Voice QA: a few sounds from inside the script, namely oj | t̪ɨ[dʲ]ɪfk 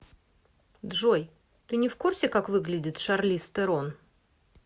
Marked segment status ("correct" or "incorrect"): incorrect